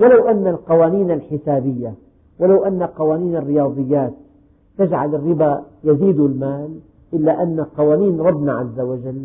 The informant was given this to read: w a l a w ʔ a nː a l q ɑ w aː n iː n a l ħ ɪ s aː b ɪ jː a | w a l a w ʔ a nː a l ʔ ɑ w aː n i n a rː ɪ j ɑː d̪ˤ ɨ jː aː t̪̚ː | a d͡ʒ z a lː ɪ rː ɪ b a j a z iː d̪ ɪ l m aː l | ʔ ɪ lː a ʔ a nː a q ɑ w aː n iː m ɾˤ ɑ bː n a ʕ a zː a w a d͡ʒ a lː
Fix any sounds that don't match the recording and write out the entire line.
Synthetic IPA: w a l a w ʔ a nː a l q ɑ w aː n iː n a l ħ ɪ s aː b ɪ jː a | w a l a w ʔ a nː a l q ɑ w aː n iː n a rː ɪ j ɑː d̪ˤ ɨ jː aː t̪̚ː | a d͡ʒ ʕ a l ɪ rː ɪ b a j a z iː d̪ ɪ l m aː l | ʔ ɪ lː a ʔ a nː a q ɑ w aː n iː n ɾˤ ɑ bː n a ʕ a zː a w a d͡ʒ a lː